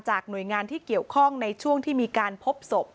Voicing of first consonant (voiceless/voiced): voiceless